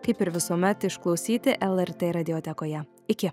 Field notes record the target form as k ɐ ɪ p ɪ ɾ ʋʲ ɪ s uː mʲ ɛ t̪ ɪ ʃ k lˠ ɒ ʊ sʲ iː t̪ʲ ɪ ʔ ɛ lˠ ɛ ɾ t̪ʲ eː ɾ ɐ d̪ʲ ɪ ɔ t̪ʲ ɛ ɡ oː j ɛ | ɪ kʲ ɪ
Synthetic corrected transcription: k ɐ ɪ p ɪ ɾ ʋʲ ɪ s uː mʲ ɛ t̪ ɪ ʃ k lˠ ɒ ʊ sʲ iː t̪ʲ ɪ ʔ ɛ lˠ ɛ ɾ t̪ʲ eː ɾ ɐ d̪ʲ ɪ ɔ t̪ʲ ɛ k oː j ɛ | ɪ kʲ ɪ